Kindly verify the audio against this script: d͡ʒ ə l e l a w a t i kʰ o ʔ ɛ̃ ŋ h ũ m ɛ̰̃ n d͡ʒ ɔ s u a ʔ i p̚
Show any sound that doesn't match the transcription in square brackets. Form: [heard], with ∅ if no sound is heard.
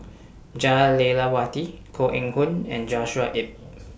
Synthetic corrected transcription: d͡ʒ [a] l e l a w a t i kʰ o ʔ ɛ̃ ŋ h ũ [n] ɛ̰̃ n d͡ʒ ɔ [ʃ] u a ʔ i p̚